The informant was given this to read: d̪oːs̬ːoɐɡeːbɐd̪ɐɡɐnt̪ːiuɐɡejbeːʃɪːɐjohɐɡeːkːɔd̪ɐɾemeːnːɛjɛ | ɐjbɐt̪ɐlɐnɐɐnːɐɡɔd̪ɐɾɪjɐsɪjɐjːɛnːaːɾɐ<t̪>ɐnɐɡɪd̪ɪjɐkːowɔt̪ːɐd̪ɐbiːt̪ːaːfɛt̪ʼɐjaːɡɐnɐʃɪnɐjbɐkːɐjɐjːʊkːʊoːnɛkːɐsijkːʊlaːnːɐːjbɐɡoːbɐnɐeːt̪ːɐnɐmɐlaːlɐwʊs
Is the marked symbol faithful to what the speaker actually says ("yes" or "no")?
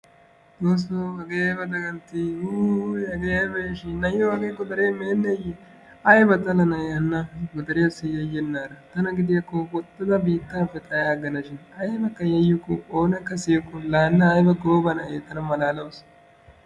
yes